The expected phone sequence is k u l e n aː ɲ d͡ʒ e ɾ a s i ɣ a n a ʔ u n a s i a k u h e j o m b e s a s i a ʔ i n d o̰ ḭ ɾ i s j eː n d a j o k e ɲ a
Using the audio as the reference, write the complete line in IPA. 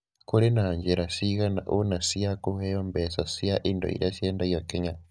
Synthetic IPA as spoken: k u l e n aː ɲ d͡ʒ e ɾ a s i ɣ a n a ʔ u n a s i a k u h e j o m b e s a s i a ʔ i n d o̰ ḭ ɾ a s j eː n d a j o k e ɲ a